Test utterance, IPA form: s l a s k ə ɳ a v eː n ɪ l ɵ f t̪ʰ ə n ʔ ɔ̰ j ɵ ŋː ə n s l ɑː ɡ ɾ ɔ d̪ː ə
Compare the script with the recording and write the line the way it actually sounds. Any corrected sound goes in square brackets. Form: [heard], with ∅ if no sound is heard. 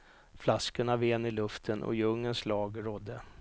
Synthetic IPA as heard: [f] l a s k ə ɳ a v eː n ɪ l ɵ f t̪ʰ ə n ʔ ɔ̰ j ɵ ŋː ə n s l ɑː ɡ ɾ ɔ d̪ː ə